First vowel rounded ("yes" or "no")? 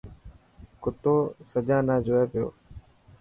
yes